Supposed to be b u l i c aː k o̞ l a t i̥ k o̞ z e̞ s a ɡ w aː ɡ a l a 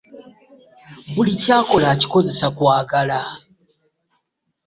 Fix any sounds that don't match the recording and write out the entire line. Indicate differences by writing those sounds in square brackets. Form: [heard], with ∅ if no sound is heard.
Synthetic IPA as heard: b u l i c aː k o̞ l a [c] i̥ k o̞ z e̞ s a [k] w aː ɡ a l a